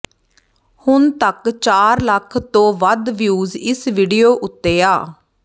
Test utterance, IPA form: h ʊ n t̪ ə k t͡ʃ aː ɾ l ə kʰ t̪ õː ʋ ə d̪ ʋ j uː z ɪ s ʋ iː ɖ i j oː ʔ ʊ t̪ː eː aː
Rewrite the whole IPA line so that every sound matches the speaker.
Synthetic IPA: h ʊ n t̪ ə k t͡ʃ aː ɾ l ə kʰ t̪ õː ʋ ə d̪ ʋ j uː z ɪ s ʋ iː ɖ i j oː ʔ ʊ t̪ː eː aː